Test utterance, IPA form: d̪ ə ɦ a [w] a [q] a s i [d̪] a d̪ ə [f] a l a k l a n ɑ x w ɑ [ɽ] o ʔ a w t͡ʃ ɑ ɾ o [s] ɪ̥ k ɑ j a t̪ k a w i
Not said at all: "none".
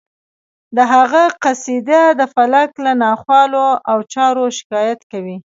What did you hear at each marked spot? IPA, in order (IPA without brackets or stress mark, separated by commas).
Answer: ɣ, q, d̪, f, l, ʃ